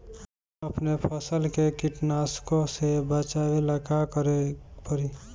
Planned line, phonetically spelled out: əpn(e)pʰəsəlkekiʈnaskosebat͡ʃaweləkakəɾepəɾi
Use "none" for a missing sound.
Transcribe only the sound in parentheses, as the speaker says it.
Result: e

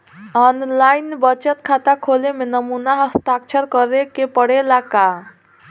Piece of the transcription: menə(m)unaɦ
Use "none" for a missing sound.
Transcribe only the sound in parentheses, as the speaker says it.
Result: m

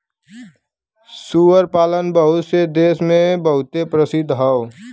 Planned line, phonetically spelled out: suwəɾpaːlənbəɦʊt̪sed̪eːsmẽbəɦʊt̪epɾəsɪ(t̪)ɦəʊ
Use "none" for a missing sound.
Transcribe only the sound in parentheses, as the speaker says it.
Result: d̪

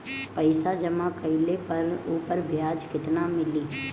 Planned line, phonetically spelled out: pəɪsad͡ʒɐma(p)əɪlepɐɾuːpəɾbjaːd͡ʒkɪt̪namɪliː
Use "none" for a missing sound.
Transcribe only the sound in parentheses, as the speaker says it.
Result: k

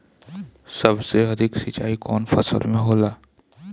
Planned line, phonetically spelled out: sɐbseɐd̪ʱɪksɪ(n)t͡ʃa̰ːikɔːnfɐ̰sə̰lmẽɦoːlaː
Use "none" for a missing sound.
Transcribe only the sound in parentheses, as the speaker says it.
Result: none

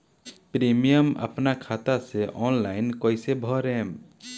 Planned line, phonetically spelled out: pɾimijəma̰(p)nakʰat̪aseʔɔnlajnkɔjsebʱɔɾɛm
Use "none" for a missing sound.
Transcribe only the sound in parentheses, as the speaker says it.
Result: p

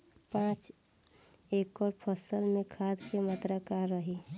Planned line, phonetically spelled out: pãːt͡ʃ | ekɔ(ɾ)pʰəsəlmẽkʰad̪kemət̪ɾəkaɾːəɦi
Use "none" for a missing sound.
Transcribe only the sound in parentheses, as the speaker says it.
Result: ɾ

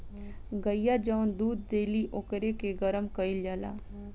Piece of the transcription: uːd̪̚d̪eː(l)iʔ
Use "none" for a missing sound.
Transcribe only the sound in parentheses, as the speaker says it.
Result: l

